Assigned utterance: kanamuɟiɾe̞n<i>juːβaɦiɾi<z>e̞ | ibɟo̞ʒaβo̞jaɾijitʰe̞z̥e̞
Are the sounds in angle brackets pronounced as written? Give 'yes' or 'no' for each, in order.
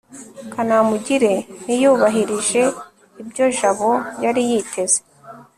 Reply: yes, no

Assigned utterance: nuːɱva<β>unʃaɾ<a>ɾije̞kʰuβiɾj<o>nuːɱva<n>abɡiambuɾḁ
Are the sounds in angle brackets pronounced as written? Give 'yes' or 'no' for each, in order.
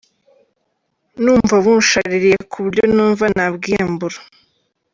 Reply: yes, no, yes, yes

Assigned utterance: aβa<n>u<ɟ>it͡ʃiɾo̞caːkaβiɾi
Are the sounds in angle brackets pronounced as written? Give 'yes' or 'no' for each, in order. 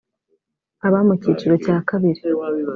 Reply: no, no

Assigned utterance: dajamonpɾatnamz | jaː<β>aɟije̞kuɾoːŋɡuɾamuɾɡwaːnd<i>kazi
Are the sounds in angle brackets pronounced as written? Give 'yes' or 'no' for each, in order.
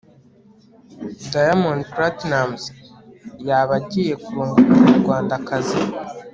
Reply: yes, no

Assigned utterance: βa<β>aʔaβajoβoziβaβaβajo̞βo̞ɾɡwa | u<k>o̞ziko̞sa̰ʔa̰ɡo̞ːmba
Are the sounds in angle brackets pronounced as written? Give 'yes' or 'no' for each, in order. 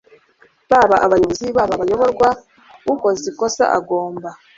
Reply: yes, yes

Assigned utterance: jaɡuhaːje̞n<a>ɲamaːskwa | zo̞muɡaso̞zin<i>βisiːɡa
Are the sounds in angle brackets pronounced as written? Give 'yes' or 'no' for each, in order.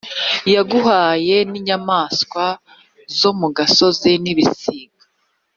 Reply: no, yes

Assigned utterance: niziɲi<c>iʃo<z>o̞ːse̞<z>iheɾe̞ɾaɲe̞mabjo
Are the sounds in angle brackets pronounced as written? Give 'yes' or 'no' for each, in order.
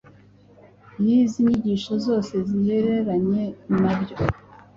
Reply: no, yes, yes

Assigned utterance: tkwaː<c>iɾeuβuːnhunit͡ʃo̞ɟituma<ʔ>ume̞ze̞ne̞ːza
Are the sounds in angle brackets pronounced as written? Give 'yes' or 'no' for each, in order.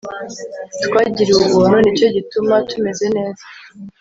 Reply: no, no

